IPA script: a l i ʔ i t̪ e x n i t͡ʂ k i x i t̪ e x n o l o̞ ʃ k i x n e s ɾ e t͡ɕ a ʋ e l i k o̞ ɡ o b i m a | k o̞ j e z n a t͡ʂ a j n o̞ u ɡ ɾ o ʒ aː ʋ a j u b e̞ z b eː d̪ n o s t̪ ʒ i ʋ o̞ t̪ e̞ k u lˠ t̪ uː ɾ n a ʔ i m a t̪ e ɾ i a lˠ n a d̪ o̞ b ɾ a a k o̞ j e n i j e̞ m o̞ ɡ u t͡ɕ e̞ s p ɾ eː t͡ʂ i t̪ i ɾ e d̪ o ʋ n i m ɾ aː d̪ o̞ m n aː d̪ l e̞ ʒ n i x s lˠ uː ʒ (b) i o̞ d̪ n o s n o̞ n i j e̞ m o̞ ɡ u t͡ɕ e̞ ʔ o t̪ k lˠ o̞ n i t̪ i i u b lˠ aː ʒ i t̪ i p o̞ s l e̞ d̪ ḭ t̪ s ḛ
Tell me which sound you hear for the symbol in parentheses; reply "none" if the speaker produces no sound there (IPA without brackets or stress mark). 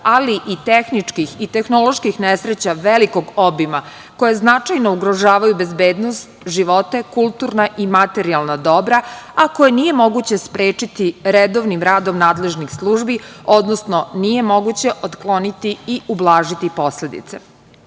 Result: b